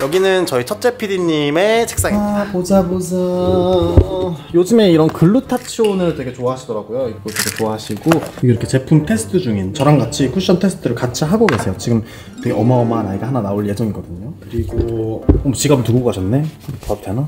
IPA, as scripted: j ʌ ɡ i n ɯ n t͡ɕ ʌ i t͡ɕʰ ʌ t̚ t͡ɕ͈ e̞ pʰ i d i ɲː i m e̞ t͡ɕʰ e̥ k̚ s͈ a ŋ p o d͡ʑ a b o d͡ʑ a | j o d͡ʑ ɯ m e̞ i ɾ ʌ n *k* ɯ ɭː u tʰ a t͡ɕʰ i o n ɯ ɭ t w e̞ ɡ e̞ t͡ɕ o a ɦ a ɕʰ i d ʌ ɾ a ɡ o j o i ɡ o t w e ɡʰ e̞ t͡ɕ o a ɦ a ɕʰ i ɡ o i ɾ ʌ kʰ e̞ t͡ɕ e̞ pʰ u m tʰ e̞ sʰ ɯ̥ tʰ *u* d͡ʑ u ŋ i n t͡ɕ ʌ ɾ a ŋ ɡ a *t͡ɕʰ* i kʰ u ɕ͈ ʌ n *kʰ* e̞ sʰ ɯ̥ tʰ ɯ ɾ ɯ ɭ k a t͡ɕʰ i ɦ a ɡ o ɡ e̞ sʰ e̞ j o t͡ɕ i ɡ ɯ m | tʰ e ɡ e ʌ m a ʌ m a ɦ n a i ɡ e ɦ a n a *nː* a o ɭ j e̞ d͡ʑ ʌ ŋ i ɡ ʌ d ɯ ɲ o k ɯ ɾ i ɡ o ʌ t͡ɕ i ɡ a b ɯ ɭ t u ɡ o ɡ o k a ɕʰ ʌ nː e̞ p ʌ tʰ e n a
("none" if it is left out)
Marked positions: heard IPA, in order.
k, ɯ, t͡ɕʰ, tʰ, n

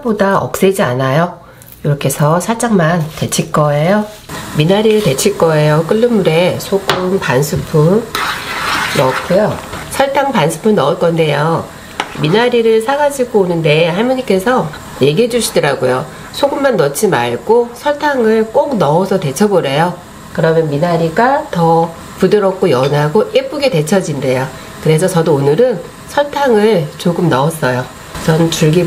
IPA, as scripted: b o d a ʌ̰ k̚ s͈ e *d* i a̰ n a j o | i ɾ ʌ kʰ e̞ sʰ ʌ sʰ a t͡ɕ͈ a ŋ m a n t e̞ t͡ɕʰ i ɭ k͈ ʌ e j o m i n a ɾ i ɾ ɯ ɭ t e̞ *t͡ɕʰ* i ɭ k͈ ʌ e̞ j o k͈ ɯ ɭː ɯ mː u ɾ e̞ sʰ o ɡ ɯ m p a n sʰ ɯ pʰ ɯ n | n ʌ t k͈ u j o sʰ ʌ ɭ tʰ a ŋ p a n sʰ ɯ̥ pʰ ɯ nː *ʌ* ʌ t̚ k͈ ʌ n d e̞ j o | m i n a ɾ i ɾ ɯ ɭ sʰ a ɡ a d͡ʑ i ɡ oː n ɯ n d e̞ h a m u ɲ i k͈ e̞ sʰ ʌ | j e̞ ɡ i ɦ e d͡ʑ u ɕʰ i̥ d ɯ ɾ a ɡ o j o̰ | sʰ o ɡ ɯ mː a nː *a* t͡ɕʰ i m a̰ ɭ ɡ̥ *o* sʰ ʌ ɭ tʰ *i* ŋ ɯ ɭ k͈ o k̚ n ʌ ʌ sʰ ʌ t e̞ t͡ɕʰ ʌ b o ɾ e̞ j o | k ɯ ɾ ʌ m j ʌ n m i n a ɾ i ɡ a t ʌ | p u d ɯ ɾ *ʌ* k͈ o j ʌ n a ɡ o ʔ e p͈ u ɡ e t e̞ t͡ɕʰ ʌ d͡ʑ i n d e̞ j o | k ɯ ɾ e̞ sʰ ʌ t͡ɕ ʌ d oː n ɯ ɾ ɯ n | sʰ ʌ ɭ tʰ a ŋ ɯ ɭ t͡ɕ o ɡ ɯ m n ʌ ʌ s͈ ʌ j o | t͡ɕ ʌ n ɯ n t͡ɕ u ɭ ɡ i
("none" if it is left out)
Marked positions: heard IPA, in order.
d͡ʑ, t͡ɕʰ, ʌ, ʌ, o, a, ʌ

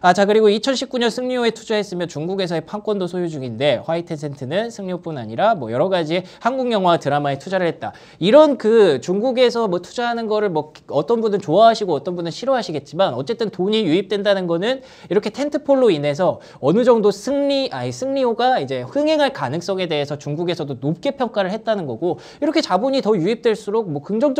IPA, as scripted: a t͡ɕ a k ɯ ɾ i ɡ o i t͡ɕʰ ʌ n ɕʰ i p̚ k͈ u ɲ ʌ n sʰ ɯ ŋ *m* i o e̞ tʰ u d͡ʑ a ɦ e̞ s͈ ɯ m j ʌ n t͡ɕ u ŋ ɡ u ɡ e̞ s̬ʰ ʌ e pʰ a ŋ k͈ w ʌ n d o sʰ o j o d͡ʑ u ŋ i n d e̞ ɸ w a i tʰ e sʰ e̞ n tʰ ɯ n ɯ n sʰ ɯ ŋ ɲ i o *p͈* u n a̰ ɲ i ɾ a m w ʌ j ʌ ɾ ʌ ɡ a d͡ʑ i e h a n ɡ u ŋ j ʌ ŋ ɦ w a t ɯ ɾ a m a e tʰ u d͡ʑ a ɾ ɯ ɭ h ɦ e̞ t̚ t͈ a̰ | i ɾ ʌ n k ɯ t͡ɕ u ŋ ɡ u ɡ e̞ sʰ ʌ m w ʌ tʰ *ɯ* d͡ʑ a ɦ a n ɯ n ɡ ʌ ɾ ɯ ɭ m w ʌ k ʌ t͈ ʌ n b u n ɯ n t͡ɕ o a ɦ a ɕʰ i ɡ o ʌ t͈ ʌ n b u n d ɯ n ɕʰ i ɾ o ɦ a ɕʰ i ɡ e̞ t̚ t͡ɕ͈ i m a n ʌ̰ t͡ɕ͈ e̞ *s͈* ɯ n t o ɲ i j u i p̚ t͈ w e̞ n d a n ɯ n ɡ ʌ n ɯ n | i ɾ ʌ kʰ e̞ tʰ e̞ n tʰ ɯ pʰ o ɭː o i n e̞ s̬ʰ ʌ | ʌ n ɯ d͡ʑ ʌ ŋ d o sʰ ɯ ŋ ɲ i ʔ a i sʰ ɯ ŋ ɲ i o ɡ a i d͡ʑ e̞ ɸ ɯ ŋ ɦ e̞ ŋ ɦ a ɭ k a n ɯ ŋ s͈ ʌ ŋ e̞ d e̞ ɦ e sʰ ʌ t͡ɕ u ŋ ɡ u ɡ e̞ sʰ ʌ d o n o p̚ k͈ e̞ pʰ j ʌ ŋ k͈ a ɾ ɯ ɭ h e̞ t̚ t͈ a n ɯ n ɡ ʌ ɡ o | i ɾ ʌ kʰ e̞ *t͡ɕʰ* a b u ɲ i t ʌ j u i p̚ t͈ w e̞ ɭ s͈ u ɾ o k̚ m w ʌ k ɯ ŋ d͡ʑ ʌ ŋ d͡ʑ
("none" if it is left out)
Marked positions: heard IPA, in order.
ɲ, p͈, u, t͈, t͡ɕ

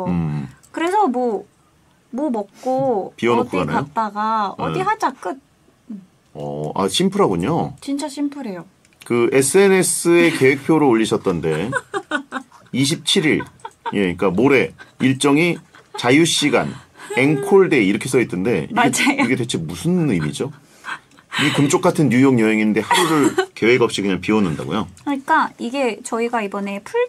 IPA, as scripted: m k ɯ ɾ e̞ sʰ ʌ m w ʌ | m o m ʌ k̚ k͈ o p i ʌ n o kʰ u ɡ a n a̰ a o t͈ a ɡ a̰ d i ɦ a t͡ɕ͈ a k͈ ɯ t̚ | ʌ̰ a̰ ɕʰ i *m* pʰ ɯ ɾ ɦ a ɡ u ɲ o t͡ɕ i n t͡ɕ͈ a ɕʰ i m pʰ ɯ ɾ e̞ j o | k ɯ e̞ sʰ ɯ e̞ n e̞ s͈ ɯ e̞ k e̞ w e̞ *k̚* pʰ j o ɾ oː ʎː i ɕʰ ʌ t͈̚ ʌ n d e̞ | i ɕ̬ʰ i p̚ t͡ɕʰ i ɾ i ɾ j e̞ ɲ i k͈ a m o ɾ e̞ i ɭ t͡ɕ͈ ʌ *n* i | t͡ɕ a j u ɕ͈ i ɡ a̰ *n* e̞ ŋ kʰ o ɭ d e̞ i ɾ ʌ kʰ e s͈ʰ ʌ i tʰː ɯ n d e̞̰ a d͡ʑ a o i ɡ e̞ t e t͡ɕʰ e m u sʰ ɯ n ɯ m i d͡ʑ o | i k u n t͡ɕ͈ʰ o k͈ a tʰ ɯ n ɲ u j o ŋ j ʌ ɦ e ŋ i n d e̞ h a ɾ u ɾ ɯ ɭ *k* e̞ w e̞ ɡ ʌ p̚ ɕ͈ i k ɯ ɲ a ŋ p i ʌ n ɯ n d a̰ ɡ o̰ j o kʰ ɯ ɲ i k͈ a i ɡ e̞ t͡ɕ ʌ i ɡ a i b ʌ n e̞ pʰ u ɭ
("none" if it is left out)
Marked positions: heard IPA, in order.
m, k̚, ŋ, n, k

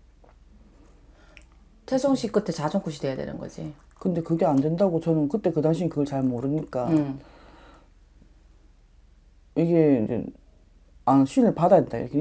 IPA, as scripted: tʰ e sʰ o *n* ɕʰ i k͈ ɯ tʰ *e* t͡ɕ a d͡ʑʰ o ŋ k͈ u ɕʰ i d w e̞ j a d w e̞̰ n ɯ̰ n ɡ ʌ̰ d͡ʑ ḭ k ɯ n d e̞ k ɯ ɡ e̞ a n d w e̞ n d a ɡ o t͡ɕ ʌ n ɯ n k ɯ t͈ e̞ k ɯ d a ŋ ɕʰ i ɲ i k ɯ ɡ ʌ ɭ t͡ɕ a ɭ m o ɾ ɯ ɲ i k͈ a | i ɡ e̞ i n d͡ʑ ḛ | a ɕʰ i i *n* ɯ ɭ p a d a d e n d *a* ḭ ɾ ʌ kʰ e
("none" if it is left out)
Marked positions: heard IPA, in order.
ŋ, e, n, a

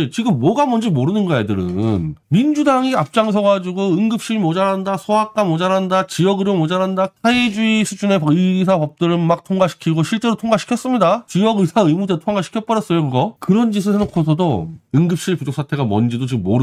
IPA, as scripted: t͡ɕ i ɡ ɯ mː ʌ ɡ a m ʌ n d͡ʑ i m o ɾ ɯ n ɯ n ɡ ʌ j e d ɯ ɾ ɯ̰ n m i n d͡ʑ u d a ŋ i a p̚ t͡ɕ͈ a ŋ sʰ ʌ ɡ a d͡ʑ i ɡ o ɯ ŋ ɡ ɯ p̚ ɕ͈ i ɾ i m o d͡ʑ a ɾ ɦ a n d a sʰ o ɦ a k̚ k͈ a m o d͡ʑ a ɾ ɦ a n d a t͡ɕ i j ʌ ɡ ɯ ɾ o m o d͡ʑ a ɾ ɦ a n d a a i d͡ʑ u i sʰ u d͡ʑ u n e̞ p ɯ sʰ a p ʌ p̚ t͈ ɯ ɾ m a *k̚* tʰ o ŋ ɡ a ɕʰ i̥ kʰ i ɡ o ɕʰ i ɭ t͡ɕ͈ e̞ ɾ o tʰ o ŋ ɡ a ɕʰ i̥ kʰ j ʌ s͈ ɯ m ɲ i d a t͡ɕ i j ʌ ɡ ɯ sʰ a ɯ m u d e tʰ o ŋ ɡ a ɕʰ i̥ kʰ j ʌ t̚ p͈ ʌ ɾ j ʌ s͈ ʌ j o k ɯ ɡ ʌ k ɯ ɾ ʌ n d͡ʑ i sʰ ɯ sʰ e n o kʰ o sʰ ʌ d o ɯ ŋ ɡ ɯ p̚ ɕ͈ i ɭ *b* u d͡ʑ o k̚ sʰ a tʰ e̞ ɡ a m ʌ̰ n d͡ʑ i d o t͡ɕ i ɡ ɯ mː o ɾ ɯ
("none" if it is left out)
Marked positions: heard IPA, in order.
k̚, p

